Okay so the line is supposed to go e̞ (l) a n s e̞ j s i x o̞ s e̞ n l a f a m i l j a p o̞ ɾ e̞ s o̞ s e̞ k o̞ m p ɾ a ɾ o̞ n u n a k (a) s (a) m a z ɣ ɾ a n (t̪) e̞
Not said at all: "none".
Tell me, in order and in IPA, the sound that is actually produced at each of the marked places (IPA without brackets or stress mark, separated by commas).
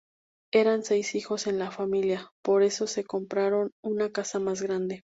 ɾ, a, a, d̪